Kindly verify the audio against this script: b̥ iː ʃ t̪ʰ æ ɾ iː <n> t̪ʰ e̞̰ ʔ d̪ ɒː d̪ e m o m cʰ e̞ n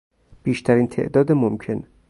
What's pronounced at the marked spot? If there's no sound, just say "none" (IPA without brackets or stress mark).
n